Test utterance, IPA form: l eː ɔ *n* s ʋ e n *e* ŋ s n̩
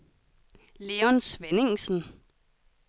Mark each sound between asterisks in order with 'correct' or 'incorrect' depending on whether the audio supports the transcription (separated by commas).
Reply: correct, correct